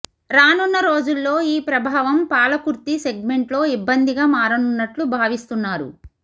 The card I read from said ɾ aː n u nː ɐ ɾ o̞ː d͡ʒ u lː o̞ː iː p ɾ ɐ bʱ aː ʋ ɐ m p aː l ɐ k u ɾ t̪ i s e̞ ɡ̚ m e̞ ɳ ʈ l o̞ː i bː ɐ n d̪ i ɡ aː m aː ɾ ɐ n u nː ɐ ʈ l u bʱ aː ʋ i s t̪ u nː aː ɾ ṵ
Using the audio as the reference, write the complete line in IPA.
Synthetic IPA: ɾ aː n u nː ɐ ɾ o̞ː d͡ʒ u lː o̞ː iː p ɾ ɐ bʱ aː ʋ ɐ m p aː l ɐ k u ɾ t̪ i s e̞ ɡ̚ m e̞ ɳ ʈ l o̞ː i bː ɐ n d̪ i ɡ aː m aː ɾ ɐ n u nː ɐ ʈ l u bʱ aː ʋ i s t̪ u nː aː ɾ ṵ